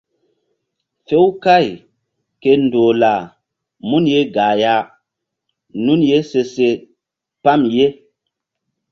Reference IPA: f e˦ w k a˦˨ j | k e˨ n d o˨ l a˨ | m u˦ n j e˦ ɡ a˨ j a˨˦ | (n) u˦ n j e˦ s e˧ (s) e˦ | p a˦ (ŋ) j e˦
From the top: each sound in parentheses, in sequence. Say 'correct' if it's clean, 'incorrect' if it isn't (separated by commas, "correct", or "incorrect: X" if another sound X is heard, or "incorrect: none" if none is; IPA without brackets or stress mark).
correct, correct, incorrect: m